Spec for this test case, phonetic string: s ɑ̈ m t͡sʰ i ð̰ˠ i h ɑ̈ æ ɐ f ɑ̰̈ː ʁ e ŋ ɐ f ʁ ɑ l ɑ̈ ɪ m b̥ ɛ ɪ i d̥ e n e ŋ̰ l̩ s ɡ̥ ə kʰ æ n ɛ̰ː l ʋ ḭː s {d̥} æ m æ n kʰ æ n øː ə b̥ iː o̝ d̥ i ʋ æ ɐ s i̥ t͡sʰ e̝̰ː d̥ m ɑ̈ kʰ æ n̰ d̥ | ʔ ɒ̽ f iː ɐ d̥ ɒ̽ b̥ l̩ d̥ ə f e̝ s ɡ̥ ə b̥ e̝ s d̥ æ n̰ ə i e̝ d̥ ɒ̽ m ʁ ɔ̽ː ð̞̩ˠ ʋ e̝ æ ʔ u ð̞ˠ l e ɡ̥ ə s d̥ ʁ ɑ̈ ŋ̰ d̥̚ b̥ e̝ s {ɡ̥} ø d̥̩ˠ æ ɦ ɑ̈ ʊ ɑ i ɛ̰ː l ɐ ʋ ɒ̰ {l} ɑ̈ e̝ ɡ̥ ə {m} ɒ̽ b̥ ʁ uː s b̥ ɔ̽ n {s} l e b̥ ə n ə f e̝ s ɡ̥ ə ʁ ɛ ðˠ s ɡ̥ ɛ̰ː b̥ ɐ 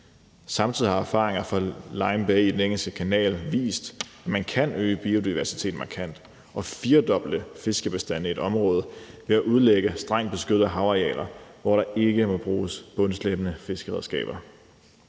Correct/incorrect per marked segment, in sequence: correct, correct, incorrect, correct, correct

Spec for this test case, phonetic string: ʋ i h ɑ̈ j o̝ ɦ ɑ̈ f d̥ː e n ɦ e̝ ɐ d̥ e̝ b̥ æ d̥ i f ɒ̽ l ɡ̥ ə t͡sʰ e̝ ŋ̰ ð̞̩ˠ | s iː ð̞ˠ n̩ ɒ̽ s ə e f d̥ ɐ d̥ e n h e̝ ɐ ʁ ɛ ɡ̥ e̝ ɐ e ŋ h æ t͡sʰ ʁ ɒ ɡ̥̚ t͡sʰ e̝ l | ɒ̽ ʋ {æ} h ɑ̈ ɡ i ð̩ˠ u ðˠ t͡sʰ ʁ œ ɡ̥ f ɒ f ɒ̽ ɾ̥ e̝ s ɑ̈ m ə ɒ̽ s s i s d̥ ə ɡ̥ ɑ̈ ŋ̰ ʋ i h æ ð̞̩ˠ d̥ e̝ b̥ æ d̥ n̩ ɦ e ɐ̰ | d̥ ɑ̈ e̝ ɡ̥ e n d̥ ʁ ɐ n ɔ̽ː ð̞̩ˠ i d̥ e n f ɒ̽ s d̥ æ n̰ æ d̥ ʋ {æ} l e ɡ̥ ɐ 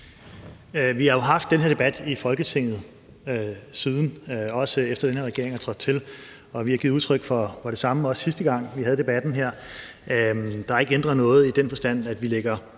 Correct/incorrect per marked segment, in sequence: incorrect, incorrect

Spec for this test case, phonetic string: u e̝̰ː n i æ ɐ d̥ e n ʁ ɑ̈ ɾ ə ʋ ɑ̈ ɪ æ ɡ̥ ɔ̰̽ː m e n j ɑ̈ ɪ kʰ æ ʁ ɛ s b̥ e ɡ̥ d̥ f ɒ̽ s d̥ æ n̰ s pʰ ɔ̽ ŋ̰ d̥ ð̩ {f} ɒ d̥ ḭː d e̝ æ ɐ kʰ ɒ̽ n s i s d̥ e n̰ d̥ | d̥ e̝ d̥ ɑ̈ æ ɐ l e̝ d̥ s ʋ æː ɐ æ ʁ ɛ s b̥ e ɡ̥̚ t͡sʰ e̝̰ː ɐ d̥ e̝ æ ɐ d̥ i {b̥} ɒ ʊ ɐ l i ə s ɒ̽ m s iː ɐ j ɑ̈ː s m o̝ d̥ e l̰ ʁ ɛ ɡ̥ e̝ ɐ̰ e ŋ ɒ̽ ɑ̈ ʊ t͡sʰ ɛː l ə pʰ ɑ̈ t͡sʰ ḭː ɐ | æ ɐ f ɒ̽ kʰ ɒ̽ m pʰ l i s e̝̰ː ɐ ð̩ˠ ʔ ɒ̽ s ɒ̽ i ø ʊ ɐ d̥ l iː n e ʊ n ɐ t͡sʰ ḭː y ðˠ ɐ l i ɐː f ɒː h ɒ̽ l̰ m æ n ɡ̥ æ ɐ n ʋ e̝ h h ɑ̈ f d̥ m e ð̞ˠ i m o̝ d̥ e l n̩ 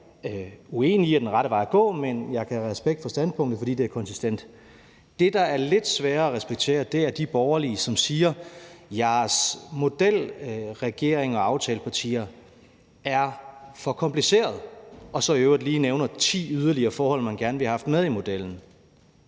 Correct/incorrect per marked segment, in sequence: correct, correct

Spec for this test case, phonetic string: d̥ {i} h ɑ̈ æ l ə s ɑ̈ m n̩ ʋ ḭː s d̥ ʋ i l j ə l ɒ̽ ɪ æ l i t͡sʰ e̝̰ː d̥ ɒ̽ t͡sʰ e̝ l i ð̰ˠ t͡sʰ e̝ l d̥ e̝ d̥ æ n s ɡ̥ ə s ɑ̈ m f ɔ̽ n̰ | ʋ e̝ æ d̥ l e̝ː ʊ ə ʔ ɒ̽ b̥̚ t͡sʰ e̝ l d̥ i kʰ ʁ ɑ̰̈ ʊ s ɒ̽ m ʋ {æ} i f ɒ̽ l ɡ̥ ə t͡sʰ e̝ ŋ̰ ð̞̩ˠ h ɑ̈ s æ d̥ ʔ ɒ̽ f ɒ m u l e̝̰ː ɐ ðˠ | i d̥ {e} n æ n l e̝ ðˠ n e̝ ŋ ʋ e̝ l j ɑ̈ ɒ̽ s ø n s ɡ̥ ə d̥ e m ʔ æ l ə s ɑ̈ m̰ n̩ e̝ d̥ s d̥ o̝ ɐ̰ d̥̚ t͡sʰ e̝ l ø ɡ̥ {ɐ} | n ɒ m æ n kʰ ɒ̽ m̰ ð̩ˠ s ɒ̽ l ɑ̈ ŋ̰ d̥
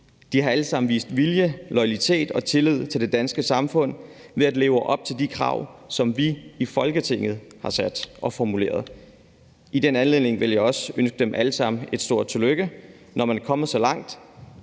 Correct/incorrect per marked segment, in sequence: correct, incorrect, correct, incorrect

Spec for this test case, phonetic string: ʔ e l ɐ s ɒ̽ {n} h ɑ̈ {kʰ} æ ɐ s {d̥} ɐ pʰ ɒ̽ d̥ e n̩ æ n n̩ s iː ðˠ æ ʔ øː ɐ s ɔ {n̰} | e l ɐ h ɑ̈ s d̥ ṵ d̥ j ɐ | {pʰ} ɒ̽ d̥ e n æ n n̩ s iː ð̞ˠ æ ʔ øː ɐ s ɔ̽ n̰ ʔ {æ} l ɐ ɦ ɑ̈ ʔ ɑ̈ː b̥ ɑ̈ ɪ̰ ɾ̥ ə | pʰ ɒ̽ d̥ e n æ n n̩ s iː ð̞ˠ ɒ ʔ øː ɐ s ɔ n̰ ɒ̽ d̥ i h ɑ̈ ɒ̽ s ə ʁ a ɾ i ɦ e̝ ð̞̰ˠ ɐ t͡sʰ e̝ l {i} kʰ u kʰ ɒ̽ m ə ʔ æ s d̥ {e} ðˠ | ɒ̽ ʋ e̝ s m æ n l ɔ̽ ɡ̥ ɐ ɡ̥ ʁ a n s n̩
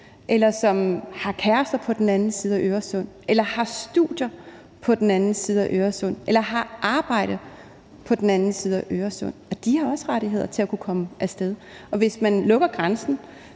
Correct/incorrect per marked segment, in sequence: incorrect, correct, correct, correct, correct, incorrect, incorrect, correct

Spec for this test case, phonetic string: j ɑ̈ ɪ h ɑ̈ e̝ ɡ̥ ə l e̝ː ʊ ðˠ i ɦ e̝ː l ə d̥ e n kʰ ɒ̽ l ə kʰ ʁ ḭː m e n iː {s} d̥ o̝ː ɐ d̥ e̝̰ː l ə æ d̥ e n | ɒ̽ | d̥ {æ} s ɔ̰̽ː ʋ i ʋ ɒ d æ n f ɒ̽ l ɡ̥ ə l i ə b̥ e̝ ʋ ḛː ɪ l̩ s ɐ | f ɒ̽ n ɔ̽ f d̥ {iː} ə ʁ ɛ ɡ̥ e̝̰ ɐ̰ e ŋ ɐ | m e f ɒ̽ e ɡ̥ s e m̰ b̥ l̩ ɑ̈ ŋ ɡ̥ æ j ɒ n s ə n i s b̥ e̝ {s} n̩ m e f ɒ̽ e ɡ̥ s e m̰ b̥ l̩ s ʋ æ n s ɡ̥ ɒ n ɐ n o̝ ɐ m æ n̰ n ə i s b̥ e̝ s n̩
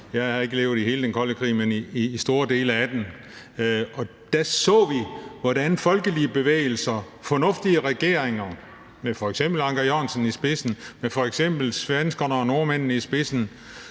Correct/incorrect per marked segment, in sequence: correct, correct, incorrect, correct

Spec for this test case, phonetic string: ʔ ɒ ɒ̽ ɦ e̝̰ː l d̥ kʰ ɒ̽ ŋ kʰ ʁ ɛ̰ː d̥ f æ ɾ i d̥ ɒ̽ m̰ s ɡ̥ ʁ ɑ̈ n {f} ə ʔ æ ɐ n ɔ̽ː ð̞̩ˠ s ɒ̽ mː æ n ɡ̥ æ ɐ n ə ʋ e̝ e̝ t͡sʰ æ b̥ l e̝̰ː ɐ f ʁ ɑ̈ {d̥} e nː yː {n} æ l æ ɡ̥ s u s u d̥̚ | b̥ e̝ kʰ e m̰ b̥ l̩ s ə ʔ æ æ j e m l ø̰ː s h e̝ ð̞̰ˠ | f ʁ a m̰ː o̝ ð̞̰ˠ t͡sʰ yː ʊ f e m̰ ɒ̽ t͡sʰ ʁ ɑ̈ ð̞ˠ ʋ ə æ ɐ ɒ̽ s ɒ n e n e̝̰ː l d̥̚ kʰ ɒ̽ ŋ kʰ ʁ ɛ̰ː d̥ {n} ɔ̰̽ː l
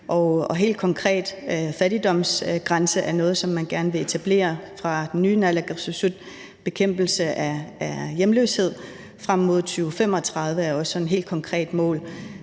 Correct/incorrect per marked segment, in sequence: incorrect, correct, correct, incorrect

